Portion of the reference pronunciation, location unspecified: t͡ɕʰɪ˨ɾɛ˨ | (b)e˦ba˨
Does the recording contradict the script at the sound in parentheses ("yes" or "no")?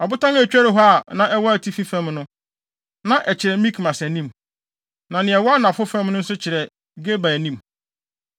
yes